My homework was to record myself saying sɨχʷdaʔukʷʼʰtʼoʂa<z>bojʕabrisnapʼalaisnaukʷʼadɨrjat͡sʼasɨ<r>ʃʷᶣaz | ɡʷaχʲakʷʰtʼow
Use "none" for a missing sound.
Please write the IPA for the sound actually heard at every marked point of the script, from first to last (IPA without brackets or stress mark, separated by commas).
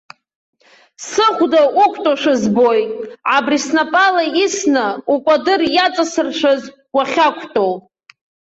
z, r